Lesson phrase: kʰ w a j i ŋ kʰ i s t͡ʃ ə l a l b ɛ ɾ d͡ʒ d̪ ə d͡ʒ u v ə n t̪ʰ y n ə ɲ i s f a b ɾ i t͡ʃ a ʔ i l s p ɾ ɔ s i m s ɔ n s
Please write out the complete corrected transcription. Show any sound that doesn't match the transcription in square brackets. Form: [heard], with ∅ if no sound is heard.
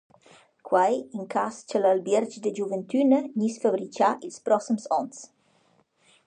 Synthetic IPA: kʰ w a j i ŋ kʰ [a] s t͡ʃ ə l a l b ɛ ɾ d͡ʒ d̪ ə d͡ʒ u v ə n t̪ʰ y n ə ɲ i s f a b ɾ i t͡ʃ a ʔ i l s p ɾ ɔ s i m s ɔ n s